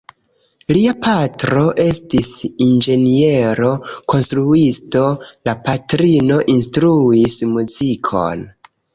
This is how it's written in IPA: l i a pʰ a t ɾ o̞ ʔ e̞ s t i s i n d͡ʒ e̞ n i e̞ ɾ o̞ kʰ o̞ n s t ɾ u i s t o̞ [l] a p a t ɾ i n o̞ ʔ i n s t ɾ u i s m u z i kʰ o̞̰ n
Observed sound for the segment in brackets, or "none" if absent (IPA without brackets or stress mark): l